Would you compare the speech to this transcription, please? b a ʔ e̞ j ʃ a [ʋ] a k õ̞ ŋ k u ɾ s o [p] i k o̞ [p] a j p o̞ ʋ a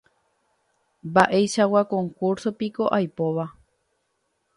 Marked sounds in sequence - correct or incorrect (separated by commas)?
incorrect, correct, incorrect